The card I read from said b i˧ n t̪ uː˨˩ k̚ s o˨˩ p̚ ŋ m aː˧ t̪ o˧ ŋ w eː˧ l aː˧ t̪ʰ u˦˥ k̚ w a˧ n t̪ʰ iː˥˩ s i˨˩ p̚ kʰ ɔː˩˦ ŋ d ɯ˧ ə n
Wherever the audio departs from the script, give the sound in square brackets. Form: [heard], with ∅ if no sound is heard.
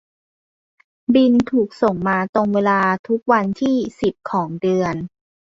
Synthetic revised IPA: b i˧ n [t̪ʰ] uː˨˩ k̚ s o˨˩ [∅] ŋ m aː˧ t̪ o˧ ŋ w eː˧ l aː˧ t̪ʰ u˦˥ k̚ w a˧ n t̪ʰ iː˥˩ s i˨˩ p̚ kʰ ɔː˩˦ ŋ d ɯ˧ ə n

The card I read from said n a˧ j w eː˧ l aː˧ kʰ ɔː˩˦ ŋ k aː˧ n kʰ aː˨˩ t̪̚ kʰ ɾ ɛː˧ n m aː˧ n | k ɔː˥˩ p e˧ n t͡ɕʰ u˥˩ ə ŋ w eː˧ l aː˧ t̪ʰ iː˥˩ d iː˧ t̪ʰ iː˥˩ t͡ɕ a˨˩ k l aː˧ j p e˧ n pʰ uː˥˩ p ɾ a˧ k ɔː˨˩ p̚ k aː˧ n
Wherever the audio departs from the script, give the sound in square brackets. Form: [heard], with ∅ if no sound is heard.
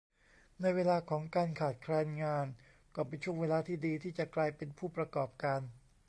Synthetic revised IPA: n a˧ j w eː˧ l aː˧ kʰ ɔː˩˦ ŋ k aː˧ n kʰ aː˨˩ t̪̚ kʰ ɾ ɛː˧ n [ŋ] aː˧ n | k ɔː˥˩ p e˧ n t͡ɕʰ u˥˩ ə ŋ w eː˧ l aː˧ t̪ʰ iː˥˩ d iː˧ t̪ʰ iː˥˩ t͡ɕ a˨˩ k l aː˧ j p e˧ n pʰ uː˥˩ p ɾ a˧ k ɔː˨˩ p̚ k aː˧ n

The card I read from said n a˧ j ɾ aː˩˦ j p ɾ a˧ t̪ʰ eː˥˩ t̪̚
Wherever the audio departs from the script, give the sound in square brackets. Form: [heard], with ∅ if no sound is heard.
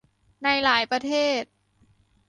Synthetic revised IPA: n a˧ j [l] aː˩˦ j p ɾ a˧ t̪ʰ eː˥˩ t̪̚

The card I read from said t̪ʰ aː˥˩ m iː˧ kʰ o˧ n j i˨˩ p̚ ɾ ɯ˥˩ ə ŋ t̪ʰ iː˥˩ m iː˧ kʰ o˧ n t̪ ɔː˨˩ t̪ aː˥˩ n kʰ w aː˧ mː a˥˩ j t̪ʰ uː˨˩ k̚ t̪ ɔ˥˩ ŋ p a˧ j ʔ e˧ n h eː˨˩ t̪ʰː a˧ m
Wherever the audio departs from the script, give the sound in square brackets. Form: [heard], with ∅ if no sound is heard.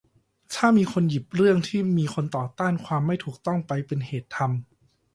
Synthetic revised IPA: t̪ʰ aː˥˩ m iː˧ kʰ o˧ n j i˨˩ p̚ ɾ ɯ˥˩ ə ŋ t̪ʰ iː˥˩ m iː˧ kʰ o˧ n t̪ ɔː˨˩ t̪ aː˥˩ n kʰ w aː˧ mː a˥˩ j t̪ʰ uː˨˩ k̚ t̪ ɔ˥˩ ŋ p a˧ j [p] e˧ n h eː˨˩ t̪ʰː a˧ m

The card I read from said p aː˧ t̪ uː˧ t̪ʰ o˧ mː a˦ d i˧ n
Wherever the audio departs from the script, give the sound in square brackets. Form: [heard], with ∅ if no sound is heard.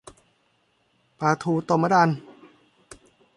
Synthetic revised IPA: p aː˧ [t̪ʰ] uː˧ [t̪] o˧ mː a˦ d [a˧] n

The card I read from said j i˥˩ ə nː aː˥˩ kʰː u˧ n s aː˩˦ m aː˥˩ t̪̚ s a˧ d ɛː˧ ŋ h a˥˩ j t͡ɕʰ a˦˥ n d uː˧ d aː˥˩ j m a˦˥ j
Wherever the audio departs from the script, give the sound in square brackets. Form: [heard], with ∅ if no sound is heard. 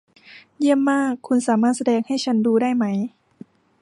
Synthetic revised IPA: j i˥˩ ə [mː] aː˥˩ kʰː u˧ n s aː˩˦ m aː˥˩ t̪̚ s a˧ d ɛː˧ ŋ h a˥˩ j t͡ɕʰ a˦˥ n d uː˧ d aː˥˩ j m a˦˥ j

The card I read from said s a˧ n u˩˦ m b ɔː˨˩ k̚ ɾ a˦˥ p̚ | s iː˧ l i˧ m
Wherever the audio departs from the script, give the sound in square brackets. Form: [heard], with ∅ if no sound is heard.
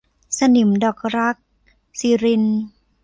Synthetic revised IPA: s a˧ n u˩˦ m [d] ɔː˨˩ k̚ ɾ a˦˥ [k̚] | s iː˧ [ɾ] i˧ [n]

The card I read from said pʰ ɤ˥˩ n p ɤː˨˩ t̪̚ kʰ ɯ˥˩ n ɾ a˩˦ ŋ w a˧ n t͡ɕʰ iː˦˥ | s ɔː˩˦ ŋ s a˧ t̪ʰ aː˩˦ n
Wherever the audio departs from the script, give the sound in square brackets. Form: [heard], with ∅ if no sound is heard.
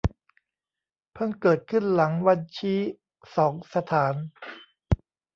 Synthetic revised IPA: pʰ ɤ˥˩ n [k] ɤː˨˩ t̪̚ kʰ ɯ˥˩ n [l] a˩˦ ŋ w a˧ n t͡ɕʰ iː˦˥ | s ɔː˩˦ ŋ s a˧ t̪ʰ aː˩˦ n

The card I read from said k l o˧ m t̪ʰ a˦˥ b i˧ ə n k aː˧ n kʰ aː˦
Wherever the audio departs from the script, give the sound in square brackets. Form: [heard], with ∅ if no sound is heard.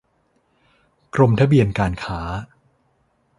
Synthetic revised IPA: k [ɾ] o˧ m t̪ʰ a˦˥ b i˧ ə n k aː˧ n kʰ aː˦

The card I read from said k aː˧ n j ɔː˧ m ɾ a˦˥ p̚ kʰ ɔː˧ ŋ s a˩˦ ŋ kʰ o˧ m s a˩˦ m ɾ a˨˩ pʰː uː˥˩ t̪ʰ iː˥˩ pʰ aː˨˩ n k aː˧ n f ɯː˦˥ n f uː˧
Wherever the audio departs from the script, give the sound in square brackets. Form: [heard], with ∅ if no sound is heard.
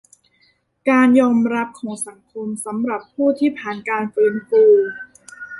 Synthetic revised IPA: k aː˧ n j ɔː˧ m ɾ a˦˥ p̚ kʰ [ɔː˩˦] ŋ s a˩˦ ŋ kʰ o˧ m s a˩˦ m ɾ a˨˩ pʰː uː˥˩ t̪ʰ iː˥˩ pʰ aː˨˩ n k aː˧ n f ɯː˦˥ n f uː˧

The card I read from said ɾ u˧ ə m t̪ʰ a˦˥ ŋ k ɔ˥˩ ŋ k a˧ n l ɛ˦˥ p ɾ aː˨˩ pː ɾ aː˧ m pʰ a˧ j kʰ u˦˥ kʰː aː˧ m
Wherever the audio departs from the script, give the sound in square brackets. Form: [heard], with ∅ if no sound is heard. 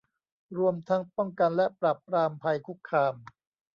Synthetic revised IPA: ɾ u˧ ə m t̪ʰ a˦˥ ŋ [p] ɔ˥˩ ŋ k a˧ n l ɛ˦˥ p ɾ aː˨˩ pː ɾ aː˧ m pʰ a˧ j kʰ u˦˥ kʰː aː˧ m

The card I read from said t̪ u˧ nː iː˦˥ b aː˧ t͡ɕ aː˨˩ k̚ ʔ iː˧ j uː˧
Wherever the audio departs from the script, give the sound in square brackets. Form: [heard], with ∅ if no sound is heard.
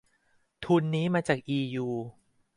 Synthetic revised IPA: [t̪ʰ] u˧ nː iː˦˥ [m] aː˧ t͡ɕ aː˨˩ k̚ ʔ iː˧ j uː˧

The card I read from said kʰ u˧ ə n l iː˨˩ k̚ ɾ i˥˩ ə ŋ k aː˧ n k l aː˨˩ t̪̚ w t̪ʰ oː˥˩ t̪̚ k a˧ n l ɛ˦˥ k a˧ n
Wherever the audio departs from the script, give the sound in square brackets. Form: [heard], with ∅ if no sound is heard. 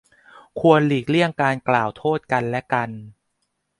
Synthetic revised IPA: kʰ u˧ ə n l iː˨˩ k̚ [l] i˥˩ ə ŋ k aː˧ n k l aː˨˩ [∅] w t̪ʰ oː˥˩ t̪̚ k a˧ n l ɛ˦˥ k a˧ n

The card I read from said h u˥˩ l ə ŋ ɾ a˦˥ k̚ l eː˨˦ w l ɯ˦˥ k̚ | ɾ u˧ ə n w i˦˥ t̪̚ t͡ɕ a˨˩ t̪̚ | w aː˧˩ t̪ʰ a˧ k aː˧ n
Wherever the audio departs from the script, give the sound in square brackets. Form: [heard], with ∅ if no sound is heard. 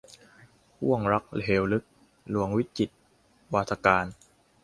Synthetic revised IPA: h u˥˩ [∅] ə ŋ ɾ a˦˥ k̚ l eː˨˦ w l ɯ˦˥ k̚ | [l] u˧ ə [ŋ] w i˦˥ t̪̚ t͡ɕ [i˨˩] t̪̚ | w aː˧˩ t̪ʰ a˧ k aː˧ n

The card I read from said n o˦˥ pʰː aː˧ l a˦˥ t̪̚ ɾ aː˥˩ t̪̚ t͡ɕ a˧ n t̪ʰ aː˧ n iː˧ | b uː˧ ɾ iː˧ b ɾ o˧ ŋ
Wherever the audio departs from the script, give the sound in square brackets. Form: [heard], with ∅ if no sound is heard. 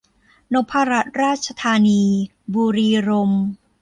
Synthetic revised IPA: n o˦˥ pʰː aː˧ [ɾ] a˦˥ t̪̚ ɾ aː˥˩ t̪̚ [t͡ɕʰ] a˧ [∅] t̪ʰ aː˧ n iː˧ | b uː˧ ɾ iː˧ [∅] ɾ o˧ [m]

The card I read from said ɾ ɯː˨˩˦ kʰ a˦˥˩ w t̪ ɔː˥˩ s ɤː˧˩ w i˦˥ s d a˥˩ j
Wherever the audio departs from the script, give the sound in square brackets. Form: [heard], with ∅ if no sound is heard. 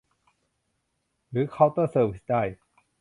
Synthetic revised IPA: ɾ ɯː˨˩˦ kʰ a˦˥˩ w t̪ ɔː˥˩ s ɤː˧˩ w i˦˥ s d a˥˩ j

